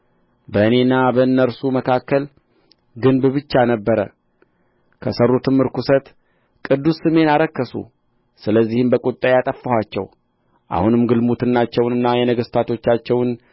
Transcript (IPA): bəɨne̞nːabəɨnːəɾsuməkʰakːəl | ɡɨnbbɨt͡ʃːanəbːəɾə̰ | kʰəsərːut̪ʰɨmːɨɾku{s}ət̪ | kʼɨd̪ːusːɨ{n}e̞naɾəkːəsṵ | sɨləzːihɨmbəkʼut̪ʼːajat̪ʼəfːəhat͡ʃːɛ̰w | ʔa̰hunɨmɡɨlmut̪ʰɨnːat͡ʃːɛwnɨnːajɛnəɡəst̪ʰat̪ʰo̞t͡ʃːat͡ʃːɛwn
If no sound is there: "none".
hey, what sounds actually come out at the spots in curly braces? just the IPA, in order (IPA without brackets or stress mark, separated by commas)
s, m